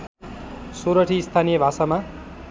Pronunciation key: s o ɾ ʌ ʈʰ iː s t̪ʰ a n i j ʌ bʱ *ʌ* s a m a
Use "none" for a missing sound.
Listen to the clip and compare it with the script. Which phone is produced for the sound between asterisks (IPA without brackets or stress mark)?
a